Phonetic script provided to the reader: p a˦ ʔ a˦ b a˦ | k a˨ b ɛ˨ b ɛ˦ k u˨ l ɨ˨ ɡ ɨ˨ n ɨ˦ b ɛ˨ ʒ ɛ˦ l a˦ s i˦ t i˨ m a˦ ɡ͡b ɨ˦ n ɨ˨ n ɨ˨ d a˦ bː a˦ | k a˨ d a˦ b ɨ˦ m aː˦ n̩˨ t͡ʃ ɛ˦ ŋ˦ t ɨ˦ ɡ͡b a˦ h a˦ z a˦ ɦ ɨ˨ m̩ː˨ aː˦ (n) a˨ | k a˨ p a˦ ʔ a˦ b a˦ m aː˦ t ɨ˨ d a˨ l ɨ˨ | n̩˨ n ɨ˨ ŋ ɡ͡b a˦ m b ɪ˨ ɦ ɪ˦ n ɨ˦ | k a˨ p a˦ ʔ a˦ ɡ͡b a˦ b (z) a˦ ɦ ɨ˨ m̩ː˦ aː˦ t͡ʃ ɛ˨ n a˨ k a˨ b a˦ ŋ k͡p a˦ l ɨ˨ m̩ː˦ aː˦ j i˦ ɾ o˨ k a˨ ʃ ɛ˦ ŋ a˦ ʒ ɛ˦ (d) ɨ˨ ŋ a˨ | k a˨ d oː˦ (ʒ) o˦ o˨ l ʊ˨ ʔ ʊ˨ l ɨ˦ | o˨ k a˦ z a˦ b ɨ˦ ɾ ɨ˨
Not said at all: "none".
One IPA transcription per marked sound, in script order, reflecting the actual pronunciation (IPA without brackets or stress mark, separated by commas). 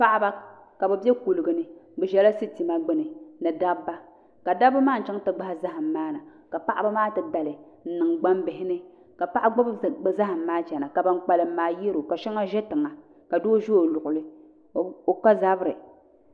n, z, t, ʒ